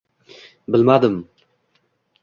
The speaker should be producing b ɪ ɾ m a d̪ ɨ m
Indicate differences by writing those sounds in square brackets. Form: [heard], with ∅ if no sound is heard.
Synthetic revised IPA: b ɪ [l] m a d̪ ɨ m